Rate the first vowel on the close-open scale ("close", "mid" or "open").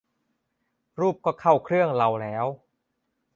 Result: close